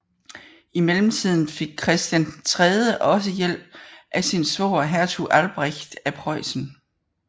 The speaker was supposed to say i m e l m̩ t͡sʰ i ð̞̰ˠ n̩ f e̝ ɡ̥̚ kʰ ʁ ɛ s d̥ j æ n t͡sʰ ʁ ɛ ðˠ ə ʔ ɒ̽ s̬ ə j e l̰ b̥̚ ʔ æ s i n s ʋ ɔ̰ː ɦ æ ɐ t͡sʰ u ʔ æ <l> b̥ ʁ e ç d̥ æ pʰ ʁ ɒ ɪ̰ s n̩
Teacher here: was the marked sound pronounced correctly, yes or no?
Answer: yes